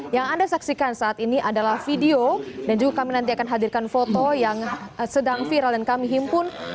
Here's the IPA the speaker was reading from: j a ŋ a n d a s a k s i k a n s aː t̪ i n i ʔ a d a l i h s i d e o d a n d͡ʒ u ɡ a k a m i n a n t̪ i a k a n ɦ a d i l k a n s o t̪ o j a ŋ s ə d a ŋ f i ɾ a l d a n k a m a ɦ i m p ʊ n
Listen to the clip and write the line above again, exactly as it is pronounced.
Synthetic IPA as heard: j a ŋ a n d a s a k s i k a n s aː t̪ i n i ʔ a d a l a h f i d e o d a n d͡ʒ u ɡ a k a m i n a n t̪ i a k a n ɦ a d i r k a n f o t̪ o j a ŋ s ə d a ŋ f i ɾ a l d a n k a m i ɦ i m p ʊ n